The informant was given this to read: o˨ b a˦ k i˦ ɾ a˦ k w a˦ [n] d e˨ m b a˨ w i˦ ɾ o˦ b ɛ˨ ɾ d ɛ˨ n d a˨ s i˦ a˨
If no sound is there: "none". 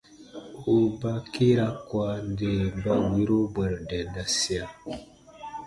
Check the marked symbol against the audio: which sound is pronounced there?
n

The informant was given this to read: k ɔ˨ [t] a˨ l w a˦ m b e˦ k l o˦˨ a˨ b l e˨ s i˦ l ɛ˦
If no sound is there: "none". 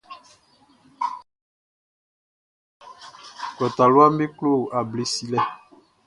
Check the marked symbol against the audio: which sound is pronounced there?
t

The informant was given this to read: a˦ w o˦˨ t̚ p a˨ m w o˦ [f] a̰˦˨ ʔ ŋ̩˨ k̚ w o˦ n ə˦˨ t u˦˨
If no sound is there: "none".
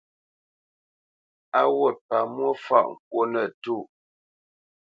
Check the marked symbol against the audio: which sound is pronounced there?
f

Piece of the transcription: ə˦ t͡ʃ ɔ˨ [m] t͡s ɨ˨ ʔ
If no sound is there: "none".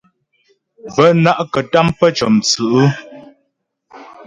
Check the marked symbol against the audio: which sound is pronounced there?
m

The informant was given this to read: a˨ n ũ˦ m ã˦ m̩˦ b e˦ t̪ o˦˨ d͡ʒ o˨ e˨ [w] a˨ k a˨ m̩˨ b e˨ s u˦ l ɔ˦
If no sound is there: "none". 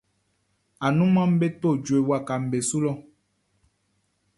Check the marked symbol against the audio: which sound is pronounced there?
w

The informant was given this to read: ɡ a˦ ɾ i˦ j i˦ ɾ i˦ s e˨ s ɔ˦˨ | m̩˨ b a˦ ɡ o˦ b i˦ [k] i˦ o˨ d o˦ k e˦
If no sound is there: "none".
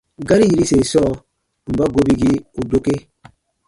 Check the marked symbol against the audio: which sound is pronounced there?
ɡ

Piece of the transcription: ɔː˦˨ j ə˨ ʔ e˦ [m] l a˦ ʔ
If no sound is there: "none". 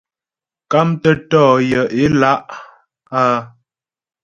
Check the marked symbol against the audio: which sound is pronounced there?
none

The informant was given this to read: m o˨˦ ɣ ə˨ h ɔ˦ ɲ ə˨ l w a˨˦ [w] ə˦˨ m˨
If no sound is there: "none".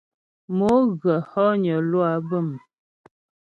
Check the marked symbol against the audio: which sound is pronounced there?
b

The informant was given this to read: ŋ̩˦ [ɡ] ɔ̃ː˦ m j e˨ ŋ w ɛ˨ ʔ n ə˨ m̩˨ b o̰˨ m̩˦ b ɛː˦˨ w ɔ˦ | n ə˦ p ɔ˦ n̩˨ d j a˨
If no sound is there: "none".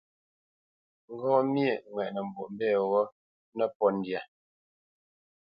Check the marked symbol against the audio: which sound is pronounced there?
ɡ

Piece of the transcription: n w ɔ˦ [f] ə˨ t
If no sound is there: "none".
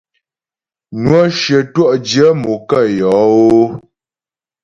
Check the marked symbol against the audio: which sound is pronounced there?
ʃ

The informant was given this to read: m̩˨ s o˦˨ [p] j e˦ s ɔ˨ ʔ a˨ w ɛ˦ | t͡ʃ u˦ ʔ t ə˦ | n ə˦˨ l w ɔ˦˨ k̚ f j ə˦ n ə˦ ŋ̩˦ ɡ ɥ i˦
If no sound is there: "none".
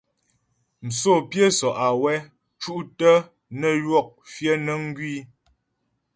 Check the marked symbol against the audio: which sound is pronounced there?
p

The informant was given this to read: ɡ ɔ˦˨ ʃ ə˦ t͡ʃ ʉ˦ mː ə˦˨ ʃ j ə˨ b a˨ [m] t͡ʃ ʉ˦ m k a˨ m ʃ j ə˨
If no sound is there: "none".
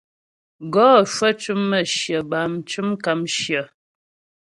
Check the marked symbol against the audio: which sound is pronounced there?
m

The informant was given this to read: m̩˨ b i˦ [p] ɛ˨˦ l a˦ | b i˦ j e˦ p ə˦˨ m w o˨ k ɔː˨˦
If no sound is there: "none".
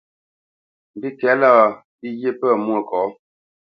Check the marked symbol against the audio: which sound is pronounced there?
k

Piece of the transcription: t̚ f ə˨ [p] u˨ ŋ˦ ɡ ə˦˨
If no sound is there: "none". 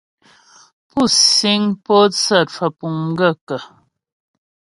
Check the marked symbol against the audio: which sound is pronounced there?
p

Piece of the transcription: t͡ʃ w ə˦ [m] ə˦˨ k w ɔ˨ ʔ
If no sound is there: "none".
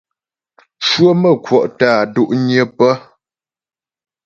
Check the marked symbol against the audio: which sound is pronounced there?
m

